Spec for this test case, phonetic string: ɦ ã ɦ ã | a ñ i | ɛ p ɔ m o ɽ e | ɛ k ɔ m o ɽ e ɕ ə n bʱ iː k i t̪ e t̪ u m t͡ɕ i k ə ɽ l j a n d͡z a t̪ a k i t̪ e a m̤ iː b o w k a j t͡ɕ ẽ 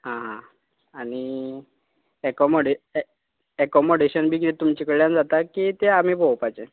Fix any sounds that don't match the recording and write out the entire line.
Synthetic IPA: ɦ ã ɦ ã | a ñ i | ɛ k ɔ m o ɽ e | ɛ k ɔ m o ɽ e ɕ ə n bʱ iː k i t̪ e t̪ u m t͡ɕ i k ə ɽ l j a n d͡z a t̪ a k i t̪ e a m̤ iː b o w p a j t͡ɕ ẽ

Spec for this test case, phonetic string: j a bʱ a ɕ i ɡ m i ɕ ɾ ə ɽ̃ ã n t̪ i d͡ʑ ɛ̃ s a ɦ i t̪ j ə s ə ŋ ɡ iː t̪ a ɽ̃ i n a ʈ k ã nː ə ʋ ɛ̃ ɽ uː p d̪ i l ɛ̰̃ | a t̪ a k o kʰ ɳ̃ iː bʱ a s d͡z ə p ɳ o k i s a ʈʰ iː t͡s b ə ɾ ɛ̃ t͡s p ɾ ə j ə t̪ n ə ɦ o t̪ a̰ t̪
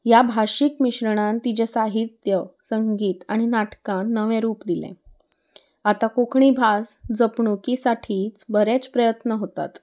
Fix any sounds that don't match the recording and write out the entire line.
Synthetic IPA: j a bʱ a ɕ i k m i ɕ ɾ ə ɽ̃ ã n t̪ i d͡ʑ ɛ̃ s a ɦ i t̪ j ə s ə ŋ ɡ iː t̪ a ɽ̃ i n a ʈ k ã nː ə ʋ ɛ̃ ɾ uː p d̪ i l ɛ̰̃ | a t̪ a k o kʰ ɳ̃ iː bʱ a s d͡z ə p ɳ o k i s a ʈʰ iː t͡s b ə ɾ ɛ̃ t͡s p ɾ ə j ə t̪ n ə ɦ o t̪ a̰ t̪

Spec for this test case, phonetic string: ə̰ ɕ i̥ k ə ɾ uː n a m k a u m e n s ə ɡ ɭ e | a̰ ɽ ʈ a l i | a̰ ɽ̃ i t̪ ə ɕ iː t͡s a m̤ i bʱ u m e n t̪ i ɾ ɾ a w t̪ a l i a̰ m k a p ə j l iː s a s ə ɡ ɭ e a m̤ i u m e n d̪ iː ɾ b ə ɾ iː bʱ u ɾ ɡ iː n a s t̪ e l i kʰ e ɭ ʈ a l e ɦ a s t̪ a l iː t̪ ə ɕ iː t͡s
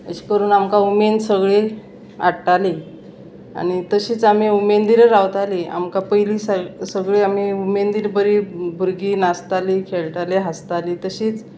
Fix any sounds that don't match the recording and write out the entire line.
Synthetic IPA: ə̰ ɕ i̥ k ə ɾ uː n a m k a u m e n s ə ɡ ɭ e | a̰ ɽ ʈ a l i | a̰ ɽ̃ i t̪ ə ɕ iː t͡s a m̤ i u m e n d̪ i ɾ ɾ a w t̪ a l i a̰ m k a p ə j l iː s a s ə ɡ ɭ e a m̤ i u m e n d̪ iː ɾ b ə ɾ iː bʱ u ɾ ɡ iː n a s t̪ a l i kʰ e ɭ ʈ a l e ɦ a s t̪ a l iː t̪ ə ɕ iː t͡s

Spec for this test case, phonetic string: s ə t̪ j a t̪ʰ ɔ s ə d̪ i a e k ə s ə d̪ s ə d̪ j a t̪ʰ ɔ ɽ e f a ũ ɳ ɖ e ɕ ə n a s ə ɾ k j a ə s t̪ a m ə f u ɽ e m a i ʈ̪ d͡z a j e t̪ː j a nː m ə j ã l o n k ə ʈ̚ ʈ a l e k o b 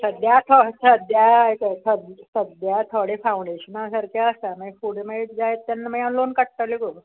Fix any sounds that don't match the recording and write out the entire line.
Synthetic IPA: s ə d̪ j a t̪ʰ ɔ s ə d̪ j a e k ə s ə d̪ s ə d̪ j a t̪ʰ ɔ ɽ e f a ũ ɳ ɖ e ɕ ə n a s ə ɾ k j a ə s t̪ a m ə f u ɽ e m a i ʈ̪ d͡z a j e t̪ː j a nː m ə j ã l o n k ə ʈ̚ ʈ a l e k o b

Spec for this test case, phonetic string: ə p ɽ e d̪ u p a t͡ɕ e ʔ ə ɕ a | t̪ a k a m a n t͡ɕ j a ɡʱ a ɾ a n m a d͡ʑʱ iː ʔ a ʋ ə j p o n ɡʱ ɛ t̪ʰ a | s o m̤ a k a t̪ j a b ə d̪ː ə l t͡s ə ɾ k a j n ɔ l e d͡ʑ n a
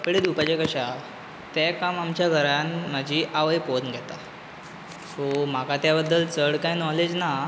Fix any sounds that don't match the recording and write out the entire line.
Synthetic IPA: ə p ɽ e d̪ u p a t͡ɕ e k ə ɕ a | t̪ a k a m a m t͡ɕ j a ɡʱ ə ɾ a n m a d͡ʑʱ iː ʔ a ʋ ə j p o n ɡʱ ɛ t̪ a | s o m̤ a k a t̪ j a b ə d̪ː ə l t͡s ə ɽ k a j n ɔ l e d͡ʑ n a

